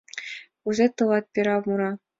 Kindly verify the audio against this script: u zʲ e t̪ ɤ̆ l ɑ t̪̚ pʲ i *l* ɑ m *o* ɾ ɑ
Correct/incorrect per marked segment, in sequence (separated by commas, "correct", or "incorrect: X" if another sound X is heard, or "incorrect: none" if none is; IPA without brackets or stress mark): incorrect: ɾ, incorrect: u